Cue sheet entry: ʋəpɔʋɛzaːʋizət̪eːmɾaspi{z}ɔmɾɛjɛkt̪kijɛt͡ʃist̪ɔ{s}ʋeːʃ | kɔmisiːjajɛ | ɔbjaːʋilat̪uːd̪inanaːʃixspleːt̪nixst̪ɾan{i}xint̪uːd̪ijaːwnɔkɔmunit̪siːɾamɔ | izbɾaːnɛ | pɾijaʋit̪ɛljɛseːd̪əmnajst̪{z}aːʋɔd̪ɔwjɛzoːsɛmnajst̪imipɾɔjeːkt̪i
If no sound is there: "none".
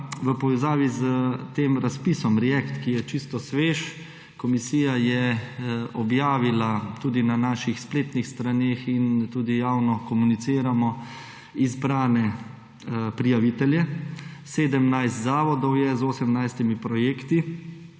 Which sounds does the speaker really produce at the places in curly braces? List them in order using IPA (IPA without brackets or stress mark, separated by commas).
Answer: s, s, e, z